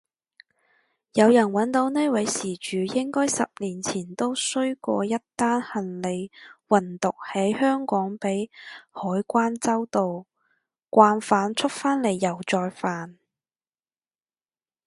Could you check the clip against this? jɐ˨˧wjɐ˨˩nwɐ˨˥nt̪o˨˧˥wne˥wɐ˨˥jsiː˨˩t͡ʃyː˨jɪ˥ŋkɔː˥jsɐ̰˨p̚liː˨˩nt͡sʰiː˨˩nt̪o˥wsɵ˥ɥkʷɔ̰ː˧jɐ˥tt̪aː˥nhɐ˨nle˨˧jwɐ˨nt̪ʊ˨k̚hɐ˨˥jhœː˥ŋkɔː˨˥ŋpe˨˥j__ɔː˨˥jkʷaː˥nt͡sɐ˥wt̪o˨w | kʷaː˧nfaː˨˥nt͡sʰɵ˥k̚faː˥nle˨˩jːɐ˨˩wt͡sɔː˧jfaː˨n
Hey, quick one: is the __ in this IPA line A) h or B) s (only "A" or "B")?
A